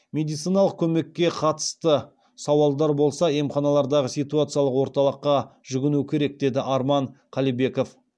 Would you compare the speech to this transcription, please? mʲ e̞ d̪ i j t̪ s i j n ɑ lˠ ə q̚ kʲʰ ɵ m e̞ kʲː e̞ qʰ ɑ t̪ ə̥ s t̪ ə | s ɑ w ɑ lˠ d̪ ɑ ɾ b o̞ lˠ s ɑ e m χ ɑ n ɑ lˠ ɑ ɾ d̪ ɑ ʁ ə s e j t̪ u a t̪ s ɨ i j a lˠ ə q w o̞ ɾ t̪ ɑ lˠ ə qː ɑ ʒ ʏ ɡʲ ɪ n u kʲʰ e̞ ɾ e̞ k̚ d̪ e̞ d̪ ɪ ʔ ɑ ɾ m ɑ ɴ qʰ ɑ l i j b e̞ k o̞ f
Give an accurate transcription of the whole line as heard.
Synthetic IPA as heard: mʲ e̞ d̪ i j t̪ s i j n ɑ lˠ ə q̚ kʲʰ ɵ m e̞ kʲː e̞ qʰ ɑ t̪ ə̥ s t̪ ə | s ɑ w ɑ lˠ d̪ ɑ ɾ b o̞ lˠ s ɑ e m χ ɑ n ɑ lˠ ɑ ɾ d̪ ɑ ʁ ə s i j t̪ u a t̪ s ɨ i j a lˠ ə q w o̞ ɾ t̪ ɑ lˠ ə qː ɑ ʒ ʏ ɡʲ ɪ n u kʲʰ e̞ ɾ e̞ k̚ d̪ e̞ d̪ ɪ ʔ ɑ ɾ m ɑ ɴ qʰ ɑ l i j b e̞ k o̞ f